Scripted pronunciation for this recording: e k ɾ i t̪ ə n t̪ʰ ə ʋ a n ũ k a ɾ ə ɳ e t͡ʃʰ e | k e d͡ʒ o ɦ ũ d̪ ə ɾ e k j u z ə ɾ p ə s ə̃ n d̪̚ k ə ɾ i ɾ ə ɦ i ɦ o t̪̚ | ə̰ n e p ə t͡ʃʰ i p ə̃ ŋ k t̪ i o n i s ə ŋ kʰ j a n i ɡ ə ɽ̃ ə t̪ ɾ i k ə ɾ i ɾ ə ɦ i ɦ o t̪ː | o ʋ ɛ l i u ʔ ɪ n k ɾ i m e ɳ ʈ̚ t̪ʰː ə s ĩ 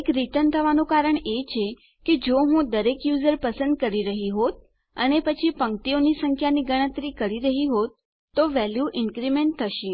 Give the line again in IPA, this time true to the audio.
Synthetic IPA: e k ɾ i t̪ ə n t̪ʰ ə ʋ a n ũ k a ɾ ə ɳ e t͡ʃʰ e | k e d͡ʒ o ɦ ũ d̪ ə ɾ e k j u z ə ɾ p ə s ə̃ n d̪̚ k ə ɾ i ɾ ə ɦ i ɦ o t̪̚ | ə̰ n e p ə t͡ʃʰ i p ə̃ ŋ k t̪ i o n i s ə ŋ kʰ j a n i ɡ ə ɽ̃ ə t̪ ɾ i k ə ɾ i ɾ ə ɦ i ɦ o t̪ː | o ʋ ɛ l j u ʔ ɪ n k ɾ i m e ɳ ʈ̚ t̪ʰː ə ʃ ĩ